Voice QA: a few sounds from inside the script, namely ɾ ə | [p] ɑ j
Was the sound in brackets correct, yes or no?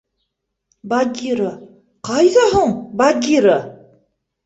no